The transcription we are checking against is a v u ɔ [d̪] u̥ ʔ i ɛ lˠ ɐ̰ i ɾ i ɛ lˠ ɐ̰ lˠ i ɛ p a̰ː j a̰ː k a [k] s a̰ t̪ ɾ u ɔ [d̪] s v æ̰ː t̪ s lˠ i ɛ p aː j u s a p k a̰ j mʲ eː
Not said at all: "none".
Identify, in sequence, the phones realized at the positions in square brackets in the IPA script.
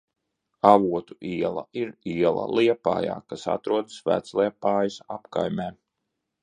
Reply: t̪, none, d̪

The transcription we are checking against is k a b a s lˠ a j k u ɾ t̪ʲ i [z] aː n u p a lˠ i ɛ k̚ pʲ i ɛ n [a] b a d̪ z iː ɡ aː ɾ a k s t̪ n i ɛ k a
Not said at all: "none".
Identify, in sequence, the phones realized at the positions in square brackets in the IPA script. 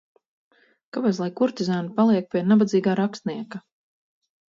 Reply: z, a

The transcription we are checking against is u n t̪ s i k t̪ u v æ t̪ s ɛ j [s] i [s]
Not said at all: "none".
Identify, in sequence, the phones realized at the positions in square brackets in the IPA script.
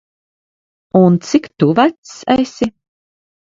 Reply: s, none

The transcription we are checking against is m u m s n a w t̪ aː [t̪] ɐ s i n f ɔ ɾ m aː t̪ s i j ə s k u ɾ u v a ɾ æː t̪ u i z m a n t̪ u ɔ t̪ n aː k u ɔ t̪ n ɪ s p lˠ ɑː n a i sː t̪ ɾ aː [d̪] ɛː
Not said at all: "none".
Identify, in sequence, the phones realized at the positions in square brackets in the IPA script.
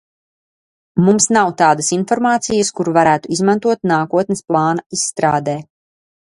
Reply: d̪, d̪

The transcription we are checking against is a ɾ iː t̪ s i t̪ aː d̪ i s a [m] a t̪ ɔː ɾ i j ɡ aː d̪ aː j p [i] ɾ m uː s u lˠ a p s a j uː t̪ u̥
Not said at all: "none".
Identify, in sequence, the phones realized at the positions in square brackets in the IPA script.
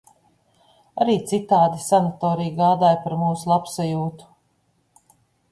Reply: n, a

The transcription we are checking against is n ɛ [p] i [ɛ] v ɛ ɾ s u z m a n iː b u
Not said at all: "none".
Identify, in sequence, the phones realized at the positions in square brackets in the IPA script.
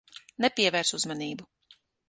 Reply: p, ɛ

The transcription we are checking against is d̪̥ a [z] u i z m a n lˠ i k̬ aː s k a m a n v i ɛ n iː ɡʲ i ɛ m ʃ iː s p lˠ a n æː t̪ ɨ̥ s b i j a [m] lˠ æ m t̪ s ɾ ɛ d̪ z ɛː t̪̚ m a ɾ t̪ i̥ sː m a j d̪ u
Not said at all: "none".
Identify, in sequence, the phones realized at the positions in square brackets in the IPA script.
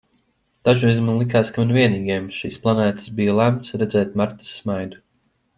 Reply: ʒ, none

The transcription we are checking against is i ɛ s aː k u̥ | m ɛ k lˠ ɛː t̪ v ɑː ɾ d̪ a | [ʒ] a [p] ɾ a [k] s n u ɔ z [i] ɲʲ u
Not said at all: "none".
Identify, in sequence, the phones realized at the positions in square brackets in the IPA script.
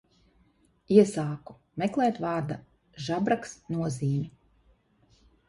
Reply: ʒ, b, k, iː

